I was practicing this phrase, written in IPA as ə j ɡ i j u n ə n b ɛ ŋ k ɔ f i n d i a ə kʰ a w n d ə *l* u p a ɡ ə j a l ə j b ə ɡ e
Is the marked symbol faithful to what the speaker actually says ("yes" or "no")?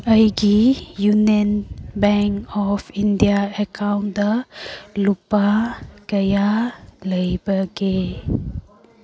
yes